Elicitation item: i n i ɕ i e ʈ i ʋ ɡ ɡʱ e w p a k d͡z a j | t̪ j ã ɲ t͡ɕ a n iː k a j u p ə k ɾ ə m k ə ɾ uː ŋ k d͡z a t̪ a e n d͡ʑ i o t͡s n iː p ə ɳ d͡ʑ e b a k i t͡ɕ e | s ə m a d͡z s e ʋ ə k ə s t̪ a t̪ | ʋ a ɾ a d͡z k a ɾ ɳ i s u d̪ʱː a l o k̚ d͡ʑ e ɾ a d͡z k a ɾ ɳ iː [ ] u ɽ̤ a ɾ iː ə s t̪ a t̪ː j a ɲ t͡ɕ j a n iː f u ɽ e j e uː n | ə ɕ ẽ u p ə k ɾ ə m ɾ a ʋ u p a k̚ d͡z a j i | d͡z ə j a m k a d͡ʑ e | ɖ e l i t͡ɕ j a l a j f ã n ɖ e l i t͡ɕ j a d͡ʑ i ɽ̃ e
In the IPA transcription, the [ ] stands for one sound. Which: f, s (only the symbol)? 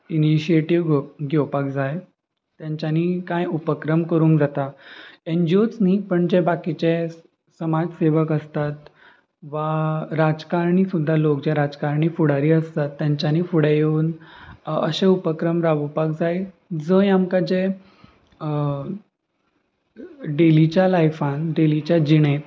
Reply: f